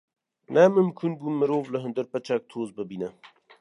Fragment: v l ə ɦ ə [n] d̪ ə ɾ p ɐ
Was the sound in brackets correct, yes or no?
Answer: yes